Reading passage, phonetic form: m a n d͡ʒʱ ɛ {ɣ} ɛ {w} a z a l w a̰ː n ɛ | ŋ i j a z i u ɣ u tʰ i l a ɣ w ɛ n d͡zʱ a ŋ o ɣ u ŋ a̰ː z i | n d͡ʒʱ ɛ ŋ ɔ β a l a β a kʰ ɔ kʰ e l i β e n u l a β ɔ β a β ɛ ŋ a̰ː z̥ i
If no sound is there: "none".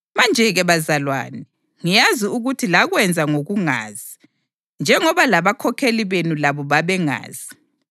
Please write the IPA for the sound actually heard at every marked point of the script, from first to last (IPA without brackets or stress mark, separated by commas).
ɣ, β